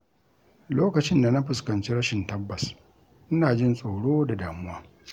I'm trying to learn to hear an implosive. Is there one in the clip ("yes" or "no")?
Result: no